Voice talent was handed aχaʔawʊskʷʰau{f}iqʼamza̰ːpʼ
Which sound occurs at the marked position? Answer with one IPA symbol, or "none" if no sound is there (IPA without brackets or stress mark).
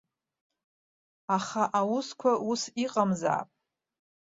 s